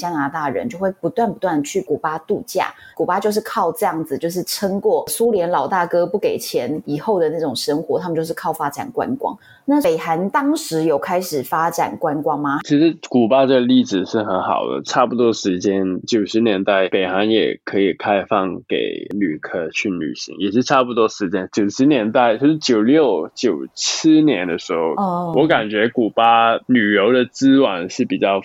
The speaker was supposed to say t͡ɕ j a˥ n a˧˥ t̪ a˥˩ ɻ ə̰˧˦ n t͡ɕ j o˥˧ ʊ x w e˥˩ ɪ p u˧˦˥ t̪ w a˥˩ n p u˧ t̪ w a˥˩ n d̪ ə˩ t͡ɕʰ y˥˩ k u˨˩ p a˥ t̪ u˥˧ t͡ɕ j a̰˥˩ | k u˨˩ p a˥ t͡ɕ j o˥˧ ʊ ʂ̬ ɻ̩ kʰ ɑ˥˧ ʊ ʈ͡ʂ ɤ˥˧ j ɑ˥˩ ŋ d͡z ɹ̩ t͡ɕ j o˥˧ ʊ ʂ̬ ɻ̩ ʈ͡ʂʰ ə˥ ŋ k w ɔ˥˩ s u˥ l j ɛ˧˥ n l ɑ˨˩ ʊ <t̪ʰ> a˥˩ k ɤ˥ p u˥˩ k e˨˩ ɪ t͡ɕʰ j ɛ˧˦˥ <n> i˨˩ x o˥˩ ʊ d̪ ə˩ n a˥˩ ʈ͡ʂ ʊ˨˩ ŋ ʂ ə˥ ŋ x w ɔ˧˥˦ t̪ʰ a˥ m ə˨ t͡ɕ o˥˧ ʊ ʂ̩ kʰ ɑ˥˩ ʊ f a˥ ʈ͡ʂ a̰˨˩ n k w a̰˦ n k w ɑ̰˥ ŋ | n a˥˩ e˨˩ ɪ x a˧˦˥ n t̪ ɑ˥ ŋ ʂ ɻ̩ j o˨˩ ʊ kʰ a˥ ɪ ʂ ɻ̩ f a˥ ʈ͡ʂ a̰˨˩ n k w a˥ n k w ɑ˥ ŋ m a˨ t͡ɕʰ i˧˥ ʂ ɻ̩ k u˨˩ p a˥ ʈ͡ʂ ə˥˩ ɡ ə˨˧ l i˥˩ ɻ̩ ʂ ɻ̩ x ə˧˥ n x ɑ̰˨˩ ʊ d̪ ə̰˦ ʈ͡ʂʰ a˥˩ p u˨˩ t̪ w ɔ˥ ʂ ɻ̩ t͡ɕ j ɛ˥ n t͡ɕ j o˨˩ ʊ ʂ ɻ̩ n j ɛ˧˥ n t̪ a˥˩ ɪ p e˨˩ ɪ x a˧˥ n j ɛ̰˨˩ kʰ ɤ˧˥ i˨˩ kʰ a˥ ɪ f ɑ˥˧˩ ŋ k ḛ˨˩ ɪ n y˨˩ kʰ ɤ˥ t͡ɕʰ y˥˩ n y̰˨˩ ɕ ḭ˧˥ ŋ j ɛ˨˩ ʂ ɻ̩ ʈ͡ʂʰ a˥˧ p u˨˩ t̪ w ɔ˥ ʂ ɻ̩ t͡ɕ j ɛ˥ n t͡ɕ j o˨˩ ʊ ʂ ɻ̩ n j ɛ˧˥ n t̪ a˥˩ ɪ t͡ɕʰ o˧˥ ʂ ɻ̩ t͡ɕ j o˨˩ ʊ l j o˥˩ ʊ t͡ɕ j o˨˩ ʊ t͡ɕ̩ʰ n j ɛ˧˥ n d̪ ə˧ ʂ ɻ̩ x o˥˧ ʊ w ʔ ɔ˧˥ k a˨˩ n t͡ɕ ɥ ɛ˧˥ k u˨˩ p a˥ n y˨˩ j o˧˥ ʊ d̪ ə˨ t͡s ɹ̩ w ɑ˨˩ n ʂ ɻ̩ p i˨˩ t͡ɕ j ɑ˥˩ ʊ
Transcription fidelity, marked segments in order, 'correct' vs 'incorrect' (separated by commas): incorrect, correct